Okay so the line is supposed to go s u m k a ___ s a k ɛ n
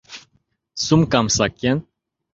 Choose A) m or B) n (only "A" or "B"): A